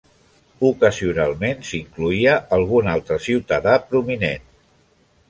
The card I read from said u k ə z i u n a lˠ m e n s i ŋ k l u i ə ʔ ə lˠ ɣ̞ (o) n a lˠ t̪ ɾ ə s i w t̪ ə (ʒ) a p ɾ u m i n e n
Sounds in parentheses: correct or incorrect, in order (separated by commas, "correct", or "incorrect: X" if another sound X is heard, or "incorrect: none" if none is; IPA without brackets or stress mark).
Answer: incorrect: u, incorrect: ð